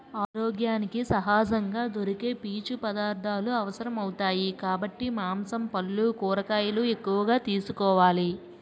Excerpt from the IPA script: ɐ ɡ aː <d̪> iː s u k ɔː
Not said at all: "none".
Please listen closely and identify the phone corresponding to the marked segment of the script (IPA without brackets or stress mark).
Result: t̪